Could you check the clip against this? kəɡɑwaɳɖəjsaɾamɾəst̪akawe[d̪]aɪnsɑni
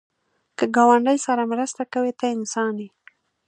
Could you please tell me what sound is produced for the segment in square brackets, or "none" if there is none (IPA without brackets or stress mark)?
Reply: t̪